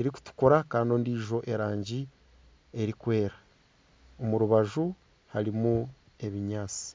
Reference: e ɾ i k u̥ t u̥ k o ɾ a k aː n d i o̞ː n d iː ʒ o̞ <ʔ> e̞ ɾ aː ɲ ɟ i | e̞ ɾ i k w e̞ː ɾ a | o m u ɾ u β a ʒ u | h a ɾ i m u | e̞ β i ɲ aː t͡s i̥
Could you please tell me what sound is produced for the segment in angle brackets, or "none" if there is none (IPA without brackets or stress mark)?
ʔ